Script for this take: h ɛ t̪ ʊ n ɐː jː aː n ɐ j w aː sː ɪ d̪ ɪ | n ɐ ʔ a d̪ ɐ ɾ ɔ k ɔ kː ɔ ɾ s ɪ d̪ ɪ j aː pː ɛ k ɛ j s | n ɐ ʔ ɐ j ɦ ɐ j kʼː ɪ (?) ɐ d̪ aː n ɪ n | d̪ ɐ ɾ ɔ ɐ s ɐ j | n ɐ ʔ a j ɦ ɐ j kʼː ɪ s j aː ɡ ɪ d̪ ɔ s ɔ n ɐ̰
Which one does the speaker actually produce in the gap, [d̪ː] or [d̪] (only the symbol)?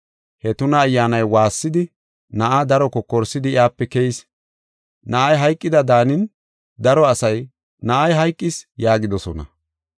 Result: d̪